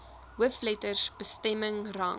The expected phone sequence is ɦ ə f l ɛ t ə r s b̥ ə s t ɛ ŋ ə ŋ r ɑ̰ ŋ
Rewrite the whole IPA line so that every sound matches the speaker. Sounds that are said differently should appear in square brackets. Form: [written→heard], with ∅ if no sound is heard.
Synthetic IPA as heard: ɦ ə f l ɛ t ə r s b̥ ə s t ɛ [ŋ→m] ə ŋ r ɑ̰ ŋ

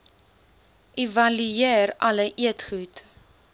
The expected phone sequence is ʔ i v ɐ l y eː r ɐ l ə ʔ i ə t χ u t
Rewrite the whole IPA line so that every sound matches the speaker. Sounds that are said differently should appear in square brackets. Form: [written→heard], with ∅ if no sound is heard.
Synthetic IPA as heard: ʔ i v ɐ l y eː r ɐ l ə ʔ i ə t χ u t

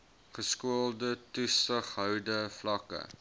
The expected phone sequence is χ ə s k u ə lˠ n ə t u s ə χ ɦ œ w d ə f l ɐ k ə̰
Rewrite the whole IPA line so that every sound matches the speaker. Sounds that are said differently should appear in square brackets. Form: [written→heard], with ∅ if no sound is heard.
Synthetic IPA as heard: χ ə s k u ə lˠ [n→d] ə t u s ə χ ɦ œ w d ə f l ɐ k ə̰

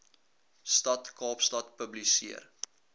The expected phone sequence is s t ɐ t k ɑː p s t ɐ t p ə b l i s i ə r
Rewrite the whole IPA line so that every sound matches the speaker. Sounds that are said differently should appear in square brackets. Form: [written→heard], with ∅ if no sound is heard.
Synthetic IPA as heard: s t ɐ t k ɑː p s t ɐ t p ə b l i s i ə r

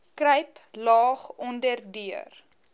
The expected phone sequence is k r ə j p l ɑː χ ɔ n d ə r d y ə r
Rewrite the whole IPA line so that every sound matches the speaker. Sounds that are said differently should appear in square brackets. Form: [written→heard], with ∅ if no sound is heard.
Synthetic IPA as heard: k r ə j p l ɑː χ ɔ n d ə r d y ə r

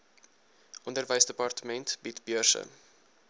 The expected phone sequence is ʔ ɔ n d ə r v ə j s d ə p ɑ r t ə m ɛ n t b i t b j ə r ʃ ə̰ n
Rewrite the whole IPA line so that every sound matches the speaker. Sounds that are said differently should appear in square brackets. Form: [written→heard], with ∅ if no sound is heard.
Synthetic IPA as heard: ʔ ɔ n d ə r v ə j s d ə p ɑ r t ə m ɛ n t b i t b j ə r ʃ ə̰ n

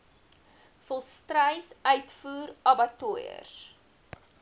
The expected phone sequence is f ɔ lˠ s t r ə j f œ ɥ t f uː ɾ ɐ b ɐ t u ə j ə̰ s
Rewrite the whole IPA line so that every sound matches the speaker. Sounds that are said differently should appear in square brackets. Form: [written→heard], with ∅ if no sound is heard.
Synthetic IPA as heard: f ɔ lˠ s t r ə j [f→s] œ ɥ t f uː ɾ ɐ b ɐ t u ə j ə̰ s

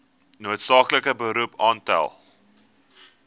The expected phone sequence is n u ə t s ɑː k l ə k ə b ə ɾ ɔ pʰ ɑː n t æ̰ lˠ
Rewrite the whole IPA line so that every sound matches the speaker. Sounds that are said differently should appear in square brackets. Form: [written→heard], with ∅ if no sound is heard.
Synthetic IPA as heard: n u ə t s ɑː k l ə k ə b ə ɾ [ɔ→u] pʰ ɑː n t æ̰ lˠ

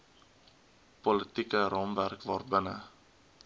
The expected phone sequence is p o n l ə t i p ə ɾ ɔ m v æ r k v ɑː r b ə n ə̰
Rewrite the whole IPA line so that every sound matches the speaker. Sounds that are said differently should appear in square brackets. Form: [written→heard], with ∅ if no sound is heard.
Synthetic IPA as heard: p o [n→∅] l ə t i [p→k] ə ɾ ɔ m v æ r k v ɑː r b ə n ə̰

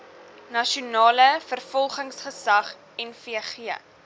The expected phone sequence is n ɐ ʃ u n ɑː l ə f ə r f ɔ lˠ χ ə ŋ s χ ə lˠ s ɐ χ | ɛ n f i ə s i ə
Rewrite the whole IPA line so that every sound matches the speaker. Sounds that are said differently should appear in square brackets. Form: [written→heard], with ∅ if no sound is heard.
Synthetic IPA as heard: n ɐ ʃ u n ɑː l ə f ə r f ɔ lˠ χ ə ŋ s χ ə [lˠ→∅] s ɐ χ | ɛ n f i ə [s→χ] i ə

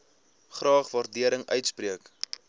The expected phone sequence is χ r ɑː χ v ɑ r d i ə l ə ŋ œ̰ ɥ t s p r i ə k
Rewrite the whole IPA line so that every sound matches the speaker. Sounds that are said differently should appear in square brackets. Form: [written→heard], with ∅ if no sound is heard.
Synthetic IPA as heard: χ r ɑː χ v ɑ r d i ə [l→ɾ] ə ŋ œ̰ ɥ t s p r i ə k

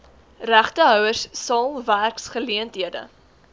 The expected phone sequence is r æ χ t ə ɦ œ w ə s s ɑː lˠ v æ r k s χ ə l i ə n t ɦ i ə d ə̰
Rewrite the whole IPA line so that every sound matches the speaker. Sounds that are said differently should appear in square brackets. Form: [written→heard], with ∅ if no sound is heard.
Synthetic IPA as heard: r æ χ t ə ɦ œ w ə s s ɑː lˠ v æ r k s χ ə l i ə n t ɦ i ə d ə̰

